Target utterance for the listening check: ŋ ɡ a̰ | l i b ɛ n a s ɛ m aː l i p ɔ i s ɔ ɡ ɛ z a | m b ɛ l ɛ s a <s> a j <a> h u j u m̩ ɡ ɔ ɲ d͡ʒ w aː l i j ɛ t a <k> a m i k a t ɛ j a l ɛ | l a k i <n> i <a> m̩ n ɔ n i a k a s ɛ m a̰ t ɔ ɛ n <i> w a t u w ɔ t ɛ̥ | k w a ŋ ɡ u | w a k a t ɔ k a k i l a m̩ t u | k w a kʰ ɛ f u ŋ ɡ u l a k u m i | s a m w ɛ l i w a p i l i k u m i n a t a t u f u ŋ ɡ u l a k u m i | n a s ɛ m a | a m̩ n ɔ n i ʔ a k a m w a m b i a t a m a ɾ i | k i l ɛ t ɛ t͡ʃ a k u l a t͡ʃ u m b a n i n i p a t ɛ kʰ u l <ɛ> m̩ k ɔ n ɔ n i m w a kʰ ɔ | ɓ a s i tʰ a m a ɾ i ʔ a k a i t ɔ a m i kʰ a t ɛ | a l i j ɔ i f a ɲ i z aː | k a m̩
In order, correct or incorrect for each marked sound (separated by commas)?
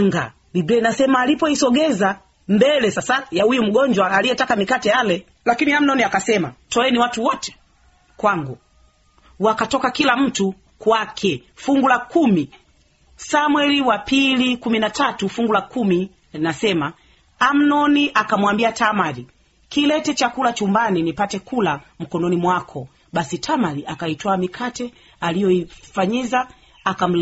correct, correct, correct, correct, correct, correct, incorrect